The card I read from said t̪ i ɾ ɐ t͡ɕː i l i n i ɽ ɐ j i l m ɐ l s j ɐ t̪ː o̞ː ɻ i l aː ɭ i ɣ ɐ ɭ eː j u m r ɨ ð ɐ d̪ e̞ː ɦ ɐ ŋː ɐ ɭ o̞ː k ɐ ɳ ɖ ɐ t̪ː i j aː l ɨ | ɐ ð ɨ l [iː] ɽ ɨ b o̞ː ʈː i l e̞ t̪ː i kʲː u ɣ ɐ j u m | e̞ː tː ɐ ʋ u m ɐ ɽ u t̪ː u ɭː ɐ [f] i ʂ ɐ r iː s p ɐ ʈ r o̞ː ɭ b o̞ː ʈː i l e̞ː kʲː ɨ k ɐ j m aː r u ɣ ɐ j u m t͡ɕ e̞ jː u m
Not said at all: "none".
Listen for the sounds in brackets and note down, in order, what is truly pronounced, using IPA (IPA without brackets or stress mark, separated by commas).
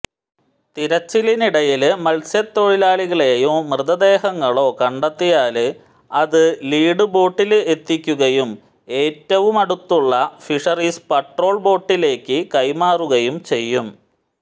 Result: iː, f